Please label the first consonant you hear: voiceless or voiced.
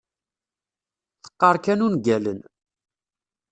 voiceless